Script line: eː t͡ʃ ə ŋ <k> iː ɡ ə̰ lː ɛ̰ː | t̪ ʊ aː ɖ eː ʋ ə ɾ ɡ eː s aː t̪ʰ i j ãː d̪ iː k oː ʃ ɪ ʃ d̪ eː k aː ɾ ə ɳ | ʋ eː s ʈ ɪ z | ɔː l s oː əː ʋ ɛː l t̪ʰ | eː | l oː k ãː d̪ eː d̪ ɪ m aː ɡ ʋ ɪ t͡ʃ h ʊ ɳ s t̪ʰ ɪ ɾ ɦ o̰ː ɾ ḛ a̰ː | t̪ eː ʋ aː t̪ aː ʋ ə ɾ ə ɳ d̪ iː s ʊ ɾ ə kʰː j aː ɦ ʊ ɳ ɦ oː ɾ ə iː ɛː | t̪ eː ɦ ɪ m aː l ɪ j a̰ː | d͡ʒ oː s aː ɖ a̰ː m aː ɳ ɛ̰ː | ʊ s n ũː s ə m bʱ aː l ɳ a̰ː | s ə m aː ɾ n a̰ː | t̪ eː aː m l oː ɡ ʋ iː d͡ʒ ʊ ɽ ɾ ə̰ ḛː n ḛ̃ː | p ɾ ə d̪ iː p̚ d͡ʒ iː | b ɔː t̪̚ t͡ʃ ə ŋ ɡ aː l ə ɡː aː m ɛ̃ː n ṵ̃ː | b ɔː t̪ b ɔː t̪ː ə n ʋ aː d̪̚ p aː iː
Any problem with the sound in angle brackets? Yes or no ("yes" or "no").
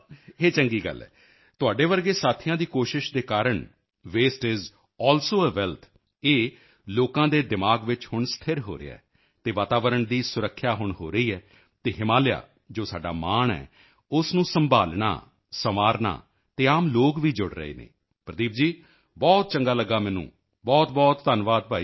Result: yes